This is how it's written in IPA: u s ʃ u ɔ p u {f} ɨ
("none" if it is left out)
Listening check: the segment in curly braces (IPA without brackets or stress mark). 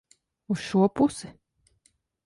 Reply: s